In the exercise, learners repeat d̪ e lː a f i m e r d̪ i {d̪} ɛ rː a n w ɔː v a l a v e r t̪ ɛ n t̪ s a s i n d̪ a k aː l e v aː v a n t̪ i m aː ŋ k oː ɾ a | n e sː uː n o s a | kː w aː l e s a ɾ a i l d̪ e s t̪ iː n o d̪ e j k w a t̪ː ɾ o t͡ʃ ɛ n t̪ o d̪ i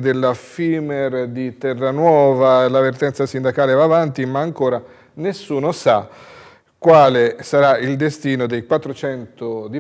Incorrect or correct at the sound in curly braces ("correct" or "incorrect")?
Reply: incorrect